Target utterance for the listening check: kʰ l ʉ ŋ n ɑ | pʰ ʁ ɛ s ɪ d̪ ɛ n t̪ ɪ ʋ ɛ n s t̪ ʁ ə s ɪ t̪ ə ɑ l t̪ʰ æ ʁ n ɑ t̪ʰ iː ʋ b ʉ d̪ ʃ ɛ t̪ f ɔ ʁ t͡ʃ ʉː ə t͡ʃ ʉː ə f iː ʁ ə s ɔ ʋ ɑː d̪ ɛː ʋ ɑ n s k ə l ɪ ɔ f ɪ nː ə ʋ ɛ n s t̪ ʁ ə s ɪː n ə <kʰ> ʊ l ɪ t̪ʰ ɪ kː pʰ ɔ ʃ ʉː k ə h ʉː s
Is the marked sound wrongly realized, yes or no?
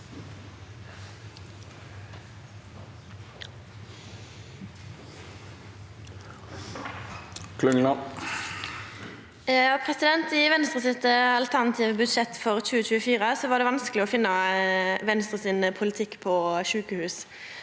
yes